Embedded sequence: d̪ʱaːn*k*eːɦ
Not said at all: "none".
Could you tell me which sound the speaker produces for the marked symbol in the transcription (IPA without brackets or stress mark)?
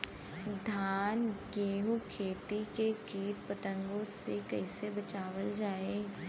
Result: ɡ